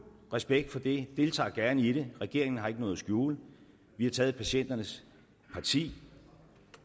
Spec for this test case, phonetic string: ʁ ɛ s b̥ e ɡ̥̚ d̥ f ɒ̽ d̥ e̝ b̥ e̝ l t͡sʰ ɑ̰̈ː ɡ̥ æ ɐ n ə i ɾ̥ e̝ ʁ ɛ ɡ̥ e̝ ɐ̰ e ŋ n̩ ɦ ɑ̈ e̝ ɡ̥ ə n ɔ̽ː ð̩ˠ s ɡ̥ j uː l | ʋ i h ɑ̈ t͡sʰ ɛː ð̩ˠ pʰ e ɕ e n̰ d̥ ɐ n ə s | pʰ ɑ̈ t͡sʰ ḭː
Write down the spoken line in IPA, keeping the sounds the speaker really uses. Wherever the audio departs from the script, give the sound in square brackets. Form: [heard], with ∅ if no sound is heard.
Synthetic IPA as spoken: ʁ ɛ s b̥ e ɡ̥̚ d̥ f ɒ̽ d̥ e̝ [d̥] e̝ l t͡sʰ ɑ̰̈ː ɡ̥ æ ɐ n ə i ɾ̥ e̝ ʁ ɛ ɡ̥ e̝ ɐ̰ e ŋ n̩ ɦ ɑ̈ e̝ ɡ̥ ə n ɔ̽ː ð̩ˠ s ɡ̥ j uː l | ʋ i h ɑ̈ t͡sʰ ɛː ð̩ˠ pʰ [æ] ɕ e n̰ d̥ ɐ n ə s | pʰ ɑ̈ t͡sʰ ḭː